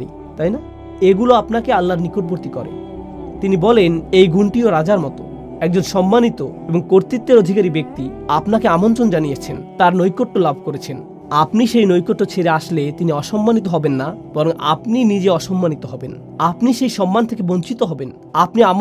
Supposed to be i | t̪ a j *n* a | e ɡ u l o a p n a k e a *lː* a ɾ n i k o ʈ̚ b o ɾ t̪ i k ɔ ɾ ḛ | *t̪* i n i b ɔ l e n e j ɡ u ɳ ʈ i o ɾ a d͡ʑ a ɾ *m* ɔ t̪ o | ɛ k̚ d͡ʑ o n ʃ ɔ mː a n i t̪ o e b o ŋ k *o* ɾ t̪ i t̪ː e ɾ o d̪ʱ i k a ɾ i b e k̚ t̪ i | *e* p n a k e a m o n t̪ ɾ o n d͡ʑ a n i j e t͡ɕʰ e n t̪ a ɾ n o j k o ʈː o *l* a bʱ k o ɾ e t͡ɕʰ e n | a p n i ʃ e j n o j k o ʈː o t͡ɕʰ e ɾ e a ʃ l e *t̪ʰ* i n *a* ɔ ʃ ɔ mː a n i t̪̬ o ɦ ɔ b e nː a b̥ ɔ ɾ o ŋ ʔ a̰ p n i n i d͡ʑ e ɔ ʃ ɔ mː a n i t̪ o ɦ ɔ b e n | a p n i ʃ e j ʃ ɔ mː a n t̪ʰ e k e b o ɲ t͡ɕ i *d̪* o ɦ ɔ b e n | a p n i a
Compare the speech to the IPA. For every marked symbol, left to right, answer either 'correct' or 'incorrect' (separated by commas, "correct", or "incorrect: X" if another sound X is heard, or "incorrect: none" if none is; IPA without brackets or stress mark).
correct, correct, correct, correct, correct, incorrect: a, correct, incorrect: t̪, incorrect: i, incorrect: t̪